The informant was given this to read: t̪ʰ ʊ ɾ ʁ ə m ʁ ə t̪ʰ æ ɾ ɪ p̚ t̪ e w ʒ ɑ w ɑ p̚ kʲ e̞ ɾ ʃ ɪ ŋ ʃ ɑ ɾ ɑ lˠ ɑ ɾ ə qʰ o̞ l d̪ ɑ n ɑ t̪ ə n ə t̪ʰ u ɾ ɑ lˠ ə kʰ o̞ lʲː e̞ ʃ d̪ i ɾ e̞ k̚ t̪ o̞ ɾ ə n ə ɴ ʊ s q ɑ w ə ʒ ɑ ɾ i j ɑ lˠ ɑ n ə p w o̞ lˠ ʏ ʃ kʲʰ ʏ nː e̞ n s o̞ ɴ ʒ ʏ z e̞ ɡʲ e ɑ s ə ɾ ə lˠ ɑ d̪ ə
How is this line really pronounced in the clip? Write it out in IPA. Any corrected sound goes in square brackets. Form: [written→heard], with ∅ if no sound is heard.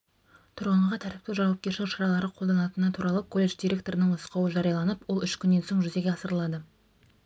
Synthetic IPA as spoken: t̪ʰ ʊ ɾ ʁ ə [m→ɴ] ʁ [ə→ɑ] t̪ʰ æ ɾ ɪ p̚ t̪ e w ʒ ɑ w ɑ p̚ kʲ e̞ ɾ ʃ ɪ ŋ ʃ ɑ ɾ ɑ lˠ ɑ ɾ ə qʰ o̞ l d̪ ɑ n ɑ t̪ ə n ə t̪ʰ u ɾ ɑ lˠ ə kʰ o̞ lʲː e̞ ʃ d̪ i ɾ e̞ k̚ t̪ o̞ ɾ ə n ə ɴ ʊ s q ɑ w ə ʒ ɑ ɾ i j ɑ lˠ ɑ n ə p w o̞ lˠ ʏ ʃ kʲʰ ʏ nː e̞ n s o̞ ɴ ʒ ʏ z e̞ ɡʲ e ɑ s ə ɾ ə lˠ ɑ d̪ ə